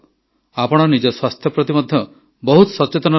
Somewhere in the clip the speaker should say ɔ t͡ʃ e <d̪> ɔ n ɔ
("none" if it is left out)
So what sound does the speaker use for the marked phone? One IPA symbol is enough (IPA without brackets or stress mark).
t̪